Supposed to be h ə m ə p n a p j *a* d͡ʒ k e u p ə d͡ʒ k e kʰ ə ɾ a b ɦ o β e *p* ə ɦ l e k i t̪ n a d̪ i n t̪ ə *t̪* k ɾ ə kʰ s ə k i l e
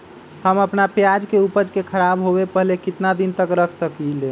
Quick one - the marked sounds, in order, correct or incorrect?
correct, correct, incorrect

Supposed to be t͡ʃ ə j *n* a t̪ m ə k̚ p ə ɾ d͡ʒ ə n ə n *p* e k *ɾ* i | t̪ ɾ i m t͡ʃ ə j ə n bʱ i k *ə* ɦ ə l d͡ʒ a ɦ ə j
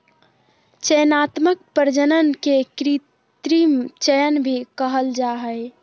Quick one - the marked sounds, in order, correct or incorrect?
correct, incorrect, correct, correct

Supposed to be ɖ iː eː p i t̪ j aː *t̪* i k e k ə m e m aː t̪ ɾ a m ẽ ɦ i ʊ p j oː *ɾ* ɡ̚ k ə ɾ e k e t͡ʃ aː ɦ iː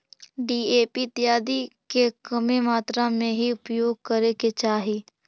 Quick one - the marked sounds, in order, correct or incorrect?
incorrect, incorrect

